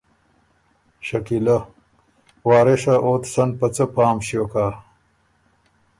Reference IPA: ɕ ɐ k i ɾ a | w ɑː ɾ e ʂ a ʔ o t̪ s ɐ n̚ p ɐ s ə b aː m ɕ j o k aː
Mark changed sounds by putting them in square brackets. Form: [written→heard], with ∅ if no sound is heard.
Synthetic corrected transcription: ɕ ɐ k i [ɾ→l] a | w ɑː ɾ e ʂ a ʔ o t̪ s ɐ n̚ p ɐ [s→t͡s] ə [b→p] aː m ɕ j o k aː